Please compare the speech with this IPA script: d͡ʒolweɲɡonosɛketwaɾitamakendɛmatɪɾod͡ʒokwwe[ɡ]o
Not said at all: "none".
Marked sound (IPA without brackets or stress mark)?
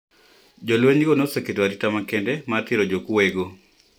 ɡ